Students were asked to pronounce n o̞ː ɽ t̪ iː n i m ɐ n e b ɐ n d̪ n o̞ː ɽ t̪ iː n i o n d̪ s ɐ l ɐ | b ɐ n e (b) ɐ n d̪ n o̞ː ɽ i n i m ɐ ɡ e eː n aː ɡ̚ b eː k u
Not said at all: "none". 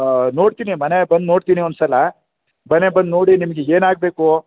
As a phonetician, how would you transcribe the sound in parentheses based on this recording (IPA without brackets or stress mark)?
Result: b